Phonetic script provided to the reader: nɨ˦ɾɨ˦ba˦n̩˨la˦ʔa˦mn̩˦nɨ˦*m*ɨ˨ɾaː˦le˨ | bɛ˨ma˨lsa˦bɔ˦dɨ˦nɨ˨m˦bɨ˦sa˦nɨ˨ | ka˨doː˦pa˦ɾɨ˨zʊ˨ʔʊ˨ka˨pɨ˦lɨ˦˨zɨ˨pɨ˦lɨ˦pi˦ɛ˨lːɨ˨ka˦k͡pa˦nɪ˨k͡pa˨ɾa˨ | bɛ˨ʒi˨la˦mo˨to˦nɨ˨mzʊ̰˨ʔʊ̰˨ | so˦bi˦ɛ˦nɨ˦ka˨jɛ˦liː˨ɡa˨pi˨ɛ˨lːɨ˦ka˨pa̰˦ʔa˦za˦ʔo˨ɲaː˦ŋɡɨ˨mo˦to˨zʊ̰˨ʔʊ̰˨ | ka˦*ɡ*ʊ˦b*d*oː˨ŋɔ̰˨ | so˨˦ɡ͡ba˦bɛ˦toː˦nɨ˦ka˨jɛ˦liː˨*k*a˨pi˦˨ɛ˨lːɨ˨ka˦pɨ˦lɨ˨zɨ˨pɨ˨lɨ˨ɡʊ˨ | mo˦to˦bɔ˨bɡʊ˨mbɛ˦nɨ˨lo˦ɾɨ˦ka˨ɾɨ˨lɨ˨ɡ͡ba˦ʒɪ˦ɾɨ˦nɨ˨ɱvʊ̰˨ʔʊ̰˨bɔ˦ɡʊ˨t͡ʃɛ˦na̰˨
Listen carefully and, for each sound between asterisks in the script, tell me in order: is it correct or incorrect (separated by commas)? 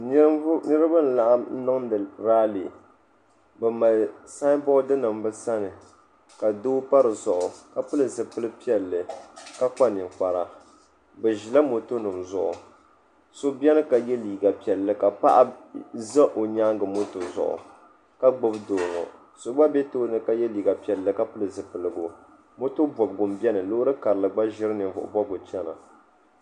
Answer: incorrect, incorrect, correct, incorrect